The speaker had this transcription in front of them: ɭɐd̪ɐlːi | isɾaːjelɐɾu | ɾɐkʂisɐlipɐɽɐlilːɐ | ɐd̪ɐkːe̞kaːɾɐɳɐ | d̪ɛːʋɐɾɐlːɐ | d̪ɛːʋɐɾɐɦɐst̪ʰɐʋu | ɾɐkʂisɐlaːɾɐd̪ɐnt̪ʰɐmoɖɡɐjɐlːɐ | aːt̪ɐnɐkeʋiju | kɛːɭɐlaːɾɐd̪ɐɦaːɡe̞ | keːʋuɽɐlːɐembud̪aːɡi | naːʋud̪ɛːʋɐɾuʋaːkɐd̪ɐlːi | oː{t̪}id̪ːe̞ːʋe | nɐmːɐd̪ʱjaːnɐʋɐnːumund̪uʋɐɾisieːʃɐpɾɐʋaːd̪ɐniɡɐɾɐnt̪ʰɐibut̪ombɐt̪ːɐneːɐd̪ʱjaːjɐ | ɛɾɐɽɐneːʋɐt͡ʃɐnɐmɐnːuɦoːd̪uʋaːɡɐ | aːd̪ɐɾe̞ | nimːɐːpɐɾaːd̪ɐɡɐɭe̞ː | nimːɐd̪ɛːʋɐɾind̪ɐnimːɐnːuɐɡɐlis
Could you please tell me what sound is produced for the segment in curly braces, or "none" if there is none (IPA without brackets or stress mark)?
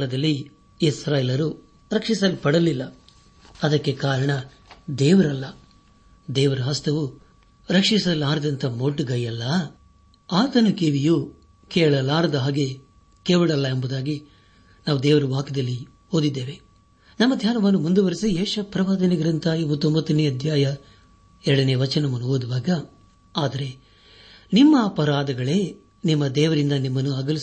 d̪